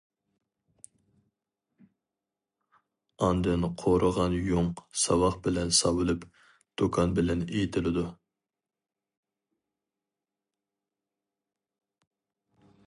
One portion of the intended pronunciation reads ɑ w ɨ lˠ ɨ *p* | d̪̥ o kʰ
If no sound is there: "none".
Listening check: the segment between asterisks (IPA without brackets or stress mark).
p